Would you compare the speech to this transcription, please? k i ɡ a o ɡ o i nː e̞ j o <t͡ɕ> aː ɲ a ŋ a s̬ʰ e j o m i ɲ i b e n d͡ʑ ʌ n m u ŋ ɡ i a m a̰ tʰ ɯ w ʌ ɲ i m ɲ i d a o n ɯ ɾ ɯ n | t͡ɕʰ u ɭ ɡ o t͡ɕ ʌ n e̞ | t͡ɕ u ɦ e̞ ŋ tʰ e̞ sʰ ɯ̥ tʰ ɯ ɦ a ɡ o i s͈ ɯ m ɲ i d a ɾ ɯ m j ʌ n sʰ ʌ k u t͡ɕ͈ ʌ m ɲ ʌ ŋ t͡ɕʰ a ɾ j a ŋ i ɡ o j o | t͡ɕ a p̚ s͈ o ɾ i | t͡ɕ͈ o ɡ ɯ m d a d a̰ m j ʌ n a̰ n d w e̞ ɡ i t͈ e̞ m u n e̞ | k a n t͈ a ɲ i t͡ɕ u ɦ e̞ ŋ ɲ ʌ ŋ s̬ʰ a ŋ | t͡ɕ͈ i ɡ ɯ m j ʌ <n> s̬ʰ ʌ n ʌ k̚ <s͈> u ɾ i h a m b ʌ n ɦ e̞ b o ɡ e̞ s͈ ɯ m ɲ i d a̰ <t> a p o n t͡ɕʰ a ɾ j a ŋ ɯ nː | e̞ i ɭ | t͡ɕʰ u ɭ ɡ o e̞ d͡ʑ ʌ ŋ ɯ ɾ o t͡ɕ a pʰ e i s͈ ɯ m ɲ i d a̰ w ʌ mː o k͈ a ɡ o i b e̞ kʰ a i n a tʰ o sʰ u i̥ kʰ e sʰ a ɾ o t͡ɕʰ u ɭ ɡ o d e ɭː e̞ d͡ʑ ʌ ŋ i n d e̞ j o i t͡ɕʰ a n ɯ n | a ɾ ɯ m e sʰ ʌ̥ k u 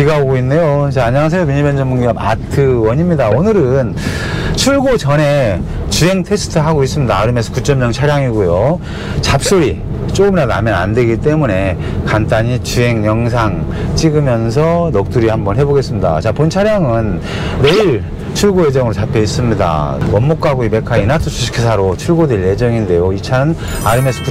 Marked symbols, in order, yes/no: yes, yes, no, no

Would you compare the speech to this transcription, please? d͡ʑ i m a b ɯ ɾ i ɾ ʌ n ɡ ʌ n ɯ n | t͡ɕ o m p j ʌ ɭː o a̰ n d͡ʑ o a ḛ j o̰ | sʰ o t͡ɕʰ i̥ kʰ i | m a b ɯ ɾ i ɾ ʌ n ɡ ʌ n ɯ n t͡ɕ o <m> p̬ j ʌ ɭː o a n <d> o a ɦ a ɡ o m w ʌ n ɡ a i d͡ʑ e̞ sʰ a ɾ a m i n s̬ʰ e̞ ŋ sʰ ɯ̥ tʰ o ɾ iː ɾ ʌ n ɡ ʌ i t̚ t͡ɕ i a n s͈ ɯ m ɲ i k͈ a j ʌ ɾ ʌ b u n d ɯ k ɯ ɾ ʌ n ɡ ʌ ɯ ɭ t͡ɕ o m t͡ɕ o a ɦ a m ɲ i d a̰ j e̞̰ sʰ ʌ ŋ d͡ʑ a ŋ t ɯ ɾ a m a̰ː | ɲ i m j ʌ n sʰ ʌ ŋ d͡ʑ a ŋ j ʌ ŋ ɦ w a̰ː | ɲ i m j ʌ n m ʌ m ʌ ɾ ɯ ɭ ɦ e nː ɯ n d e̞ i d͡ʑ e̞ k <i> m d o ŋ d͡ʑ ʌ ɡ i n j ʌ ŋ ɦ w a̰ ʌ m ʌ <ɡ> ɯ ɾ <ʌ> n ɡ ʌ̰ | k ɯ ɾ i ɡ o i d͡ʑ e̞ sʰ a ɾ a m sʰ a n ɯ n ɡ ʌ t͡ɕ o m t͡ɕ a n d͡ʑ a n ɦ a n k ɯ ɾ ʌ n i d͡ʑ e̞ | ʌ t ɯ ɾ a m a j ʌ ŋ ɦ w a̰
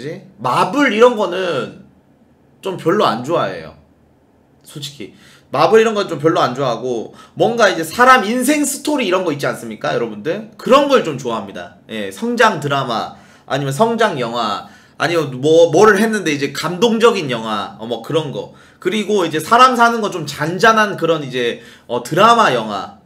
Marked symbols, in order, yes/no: yes, no, no, no, yes

